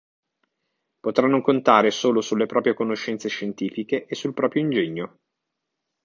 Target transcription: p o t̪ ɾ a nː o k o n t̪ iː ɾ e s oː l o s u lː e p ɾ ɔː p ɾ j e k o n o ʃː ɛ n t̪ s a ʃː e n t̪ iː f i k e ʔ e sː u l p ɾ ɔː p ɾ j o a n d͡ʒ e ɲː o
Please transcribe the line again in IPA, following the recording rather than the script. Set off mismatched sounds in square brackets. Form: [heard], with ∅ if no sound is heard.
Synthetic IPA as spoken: p o t̪ ɾ a nː o k o n t̪ [aː] ɾ e s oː l o s u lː e p ɾ ɔː p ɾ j e k o n o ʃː ɛ n t̪ s [e] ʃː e n t̪ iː f i k e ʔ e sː u l p ɾ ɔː p ɾ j o [i] n d͡ʒ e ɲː o